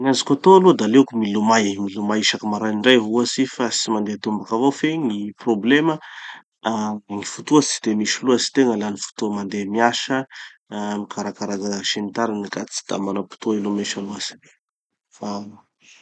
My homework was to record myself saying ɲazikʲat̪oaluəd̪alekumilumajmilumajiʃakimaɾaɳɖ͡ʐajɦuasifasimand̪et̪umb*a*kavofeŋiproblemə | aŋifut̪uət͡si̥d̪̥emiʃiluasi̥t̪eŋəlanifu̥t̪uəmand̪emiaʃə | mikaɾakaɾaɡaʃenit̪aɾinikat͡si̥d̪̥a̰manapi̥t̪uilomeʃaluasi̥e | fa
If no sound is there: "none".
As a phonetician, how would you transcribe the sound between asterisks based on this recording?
a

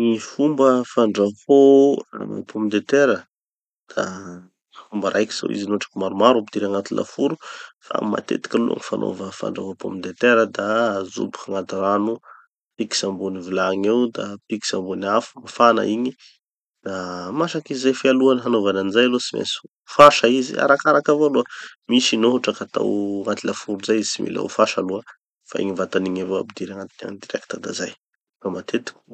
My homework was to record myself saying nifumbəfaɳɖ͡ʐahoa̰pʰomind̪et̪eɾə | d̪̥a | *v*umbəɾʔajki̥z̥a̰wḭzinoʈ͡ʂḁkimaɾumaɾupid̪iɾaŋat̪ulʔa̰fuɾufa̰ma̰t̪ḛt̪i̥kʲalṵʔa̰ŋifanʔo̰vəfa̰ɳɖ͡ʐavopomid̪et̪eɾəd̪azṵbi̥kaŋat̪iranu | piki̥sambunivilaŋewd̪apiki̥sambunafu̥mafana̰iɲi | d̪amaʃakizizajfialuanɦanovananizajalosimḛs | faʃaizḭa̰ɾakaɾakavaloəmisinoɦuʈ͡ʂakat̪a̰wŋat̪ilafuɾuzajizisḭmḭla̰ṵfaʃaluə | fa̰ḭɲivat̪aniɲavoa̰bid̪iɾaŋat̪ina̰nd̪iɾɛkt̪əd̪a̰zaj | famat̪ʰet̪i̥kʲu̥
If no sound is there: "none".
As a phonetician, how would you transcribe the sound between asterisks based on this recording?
f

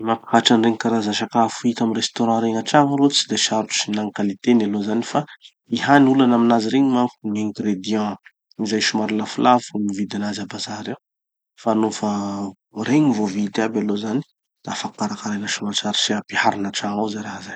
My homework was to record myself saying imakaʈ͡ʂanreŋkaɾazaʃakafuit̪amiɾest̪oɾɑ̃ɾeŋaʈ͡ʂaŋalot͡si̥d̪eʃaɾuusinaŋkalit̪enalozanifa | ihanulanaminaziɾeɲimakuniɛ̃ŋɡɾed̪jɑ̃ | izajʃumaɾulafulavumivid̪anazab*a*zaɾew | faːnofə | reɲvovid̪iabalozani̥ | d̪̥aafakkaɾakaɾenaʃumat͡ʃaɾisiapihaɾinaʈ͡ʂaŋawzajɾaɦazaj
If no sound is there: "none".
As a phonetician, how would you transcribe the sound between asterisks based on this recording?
a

